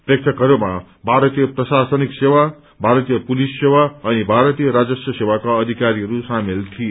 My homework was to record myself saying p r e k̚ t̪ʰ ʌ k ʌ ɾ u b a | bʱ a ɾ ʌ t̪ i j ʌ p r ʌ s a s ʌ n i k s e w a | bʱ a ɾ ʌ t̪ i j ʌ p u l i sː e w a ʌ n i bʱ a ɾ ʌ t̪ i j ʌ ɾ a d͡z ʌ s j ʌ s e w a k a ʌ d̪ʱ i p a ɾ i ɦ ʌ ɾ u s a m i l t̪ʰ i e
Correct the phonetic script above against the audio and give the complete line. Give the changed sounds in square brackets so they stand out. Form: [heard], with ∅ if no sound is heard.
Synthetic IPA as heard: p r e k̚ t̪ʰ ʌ k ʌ ɾ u [m] a | bʱ a ɾ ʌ t̪ i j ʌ p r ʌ s a s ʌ n i k s e w a | bʱ a ɾ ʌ t̪ i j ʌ p u l i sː e w a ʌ n i bʱ a ɾ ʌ t̪ i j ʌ ɾ a d͡z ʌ s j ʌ s e w a k a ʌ d̪ʱ i [k] a ɾ i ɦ ʌ ɾ u s a m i l t̪ʰ i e